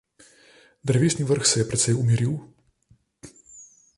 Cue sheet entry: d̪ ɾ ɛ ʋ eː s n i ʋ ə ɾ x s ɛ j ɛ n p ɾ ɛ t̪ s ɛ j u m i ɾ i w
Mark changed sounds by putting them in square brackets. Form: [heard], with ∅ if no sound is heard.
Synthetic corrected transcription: d̪ ɾ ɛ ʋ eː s n i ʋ ə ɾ x s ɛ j ɛ [∅] p ɾ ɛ t̪ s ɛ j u m i ɾ i w